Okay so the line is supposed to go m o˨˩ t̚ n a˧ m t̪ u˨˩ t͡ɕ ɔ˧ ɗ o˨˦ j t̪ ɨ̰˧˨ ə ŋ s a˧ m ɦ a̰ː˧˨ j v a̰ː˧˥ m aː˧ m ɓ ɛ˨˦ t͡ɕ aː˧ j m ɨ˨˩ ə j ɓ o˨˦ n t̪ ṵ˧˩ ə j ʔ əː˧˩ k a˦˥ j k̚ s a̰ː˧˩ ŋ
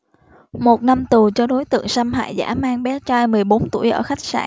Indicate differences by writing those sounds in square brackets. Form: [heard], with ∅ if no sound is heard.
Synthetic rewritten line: m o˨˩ t̚ n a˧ m t̪ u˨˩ t͡ɕ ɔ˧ ɗ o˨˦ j t̪ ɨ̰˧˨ ə ŋ s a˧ m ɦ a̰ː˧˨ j [z] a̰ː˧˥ m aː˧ [ŋ] ɓ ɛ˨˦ t͡ɕ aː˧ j m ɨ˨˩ ə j ɓ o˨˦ n t̪ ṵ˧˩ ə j ʔ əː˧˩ [x] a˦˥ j k̚ s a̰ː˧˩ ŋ